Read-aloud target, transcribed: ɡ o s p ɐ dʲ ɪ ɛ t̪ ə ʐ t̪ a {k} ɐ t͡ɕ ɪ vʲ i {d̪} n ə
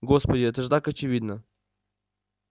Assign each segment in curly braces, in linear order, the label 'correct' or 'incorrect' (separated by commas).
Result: correct, correct